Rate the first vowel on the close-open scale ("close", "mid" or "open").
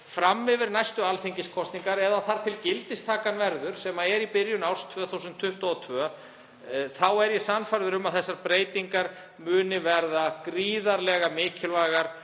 open